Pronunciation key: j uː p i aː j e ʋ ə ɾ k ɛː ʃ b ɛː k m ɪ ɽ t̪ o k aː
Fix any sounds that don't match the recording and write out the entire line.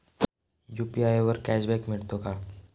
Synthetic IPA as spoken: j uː p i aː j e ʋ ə ɾ k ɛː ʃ b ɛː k m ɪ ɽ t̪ o k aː